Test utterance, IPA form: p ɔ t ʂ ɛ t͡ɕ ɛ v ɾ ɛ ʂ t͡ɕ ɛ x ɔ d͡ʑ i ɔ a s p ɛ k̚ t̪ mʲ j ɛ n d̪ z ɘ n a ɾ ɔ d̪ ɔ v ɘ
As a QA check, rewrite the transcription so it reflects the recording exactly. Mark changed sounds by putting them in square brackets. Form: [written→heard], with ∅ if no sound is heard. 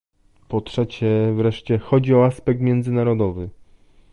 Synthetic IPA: p ɔ t ʂ ɛ t͡ɕ ɛ v ɾ ɛ ʂ t͡ɕ ɛ x ɔ d͡ʑ i ɔ a s p ɛ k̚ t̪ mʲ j ɛ n d̪ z ɘ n a ɾ ɔ d̪ ɔ v ɘ